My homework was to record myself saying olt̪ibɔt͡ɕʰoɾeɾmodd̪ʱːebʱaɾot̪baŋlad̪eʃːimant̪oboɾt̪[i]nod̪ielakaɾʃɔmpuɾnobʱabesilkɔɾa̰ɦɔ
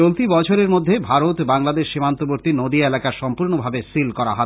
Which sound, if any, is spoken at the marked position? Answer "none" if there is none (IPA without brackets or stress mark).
i